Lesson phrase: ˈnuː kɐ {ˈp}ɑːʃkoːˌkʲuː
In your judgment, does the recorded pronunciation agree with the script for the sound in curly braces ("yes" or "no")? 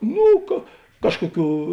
no